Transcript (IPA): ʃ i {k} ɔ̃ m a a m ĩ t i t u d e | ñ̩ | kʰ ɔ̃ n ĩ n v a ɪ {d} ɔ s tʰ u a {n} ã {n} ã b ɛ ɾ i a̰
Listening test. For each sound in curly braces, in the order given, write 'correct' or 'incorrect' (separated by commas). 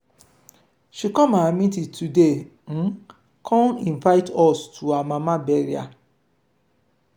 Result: correct, incorrect, incorrect, incorrect